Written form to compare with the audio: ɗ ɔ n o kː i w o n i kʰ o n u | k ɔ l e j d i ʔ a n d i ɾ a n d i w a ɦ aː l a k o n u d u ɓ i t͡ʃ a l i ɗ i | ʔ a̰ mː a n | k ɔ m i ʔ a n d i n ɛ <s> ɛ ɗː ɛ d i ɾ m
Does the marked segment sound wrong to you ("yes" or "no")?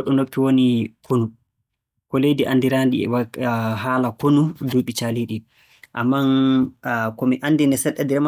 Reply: no